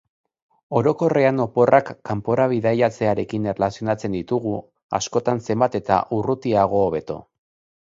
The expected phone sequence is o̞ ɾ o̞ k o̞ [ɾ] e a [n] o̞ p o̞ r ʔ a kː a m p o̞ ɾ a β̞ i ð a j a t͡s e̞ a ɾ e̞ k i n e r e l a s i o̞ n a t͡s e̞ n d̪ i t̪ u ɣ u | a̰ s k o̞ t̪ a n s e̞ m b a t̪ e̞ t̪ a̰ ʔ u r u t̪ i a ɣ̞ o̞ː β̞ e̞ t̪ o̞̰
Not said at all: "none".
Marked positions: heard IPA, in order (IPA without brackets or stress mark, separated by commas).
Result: r, n